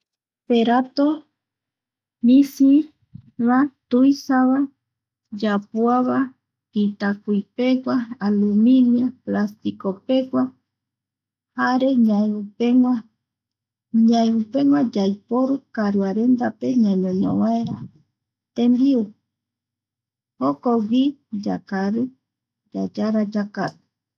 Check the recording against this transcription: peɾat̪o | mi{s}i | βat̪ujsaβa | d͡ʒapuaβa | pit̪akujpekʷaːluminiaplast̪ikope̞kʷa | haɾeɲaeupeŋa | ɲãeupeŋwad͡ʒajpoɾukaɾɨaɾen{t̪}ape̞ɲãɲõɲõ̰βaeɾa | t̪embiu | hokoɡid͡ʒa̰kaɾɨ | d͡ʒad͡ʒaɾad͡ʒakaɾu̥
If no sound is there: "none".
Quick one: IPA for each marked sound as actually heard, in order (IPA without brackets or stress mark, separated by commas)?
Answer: s, d̪